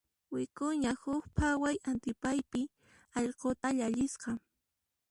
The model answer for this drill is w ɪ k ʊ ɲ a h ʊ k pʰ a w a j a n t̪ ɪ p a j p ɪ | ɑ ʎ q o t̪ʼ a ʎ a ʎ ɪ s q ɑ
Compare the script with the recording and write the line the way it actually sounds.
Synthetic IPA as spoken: w ɪ k ʊ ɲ a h ʊ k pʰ a w a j a n t̪ ɪ p a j p ɪ | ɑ ʎ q o t̪ a ʎ a ʎ ɪ s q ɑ